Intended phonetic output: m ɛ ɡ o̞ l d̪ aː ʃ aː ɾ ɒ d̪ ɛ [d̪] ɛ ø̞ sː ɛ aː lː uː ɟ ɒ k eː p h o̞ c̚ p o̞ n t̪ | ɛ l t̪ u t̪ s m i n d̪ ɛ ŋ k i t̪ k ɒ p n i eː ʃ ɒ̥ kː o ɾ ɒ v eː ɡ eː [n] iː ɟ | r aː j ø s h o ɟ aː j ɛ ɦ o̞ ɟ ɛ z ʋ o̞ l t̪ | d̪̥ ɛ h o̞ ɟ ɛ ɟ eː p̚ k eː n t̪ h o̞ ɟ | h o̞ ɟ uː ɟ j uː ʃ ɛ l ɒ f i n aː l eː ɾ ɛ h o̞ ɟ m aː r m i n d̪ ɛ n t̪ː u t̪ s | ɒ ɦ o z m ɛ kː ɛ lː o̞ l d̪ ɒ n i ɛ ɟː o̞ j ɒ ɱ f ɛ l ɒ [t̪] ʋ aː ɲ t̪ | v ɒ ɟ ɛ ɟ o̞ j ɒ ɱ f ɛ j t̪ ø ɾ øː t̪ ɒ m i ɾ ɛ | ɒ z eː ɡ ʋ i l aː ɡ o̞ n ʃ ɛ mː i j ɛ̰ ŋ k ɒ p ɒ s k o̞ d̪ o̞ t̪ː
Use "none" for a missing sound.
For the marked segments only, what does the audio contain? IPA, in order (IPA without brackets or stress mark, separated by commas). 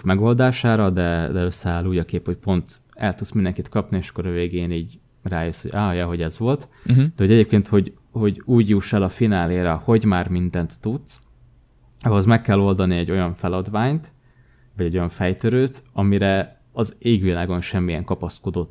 d̪, n, d̪